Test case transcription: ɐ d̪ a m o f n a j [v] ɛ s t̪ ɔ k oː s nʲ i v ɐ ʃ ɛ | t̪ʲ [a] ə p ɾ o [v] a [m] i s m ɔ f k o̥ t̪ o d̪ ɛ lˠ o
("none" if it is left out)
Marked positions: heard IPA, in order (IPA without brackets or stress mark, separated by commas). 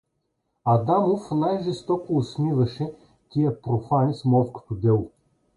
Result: ʒ, i, f, n